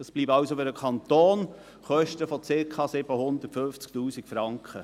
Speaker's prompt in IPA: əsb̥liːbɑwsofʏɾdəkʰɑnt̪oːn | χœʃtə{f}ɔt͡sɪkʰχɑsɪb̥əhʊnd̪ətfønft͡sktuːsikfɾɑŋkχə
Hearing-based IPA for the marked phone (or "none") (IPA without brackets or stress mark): f